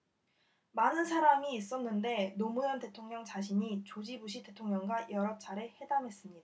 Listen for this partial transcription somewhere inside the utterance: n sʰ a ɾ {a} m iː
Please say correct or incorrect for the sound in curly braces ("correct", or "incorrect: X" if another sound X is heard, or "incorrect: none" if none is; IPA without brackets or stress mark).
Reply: correct